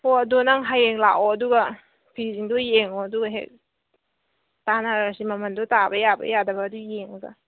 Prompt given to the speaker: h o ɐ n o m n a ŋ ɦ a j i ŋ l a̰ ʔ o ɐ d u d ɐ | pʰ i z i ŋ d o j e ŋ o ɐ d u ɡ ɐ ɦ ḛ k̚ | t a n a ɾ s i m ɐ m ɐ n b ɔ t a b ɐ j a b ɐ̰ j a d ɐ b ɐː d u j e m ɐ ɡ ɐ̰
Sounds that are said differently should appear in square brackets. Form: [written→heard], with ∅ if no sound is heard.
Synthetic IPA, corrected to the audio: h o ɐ [n→d] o [m→∅] n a ŋ ɦ a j [i→e] ŋ l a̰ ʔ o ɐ d u [d→ɡ] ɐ | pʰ i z i ŋ d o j e ŋ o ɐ d u ɡ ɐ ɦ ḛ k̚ | t a n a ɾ s i m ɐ m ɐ n [b→d] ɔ t a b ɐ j a b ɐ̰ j a d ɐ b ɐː d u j e [m→ŋ] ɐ ɡ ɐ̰